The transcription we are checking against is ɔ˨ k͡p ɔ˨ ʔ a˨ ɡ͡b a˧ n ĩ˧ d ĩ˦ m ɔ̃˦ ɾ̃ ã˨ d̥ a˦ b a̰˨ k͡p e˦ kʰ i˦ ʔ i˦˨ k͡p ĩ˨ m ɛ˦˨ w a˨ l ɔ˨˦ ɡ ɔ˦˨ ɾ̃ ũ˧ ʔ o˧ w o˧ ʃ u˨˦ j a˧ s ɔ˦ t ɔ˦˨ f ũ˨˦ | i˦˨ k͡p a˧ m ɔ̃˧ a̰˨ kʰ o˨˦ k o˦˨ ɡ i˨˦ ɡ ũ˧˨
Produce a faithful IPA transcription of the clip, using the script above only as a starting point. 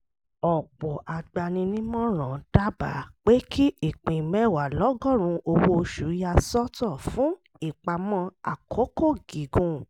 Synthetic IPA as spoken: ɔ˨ k͡p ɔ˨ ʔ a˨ ɡ͡b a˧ n ĩ˧ n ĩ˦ m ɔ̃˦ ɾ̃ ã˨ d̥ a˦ b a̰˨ k͡p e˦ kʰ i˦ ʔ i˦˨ k͡p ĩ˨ m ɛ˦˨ w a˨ l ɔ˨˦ ɡ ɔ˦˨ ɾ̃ ũ˧ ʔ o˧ w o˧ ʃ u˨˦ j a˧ s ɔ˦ t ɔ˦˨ f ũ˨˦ | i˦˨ k͡p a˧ m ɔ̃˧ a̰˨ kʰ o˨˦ k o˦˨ ɡ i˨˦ ɡ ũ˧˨